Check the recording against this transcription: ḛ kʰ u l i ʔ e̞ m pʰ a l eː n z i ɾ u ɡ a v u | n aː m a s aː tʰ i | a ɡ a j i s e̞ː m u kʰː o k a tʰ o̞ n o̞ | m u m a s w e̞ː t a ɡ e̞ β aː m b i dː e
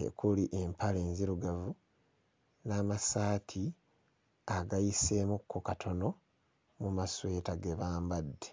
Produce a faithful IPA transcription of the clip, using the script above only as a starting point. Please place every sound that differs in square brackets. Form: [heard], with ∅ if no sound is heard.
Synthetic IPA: ḛ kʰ u l i ʔ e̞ m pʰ a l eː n z i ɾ u ɡ a v u | n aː m a s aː tʰ i | a ɡ a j i s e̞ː m u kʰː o k a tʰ o̞ n o̞ | m u m a s w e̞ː t a ɡ e̞ β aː m b [a] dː e